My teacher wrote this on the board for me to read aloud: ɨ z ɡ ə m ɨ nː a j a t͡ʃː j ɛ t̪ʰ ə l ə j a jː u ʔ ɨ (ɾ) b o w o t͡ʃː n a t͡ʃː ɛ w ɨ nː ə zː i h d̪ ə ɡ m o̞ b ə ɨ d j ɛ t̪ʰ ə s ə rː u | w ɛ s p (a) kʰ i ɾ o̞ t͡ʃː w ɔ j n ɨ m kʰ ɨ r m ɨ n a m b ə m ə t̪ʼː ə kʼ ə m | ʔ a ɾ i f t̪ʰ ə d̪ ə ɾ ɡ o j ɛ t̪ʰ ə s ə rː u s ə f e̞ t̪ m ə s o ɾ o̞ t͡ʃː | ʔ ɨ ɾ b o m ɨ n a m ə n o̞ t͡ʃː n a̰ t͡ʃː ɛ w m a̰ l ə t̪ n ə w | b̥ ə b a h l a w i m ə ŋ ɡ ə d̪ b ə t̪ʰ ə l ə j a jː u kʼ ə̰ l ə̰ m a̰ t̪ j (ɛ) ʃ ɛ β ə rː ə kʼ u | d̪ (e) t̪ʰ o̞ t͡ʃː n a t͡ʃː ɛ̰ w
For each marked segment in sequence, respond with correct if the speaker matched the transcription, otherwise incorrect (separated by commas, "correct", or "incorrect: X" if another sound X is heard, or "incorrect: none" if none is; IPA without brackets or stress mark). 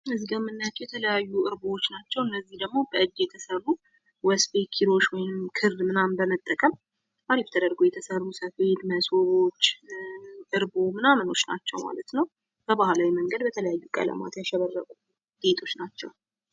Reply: correct, incorrect: e, incorrect: a, correct